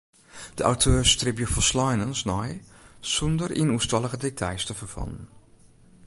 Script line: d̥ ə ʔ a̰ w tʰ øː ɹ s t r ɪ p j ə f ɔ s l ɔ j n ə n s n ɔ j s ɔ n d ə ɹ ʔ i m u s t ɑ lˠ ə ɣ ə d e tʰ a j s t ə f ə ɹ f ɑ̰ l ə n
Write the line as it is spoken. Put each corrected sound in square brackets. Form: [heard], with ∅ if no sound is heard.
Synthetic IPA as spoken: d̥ ə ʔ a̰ w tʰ øː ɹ s t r ɪ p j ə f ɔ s l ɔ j n ə n s n ɔ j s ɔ n d ə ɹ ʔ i [n] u s t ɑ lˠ ə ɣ ə d e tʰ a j s t ə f ə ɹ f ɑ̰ l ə n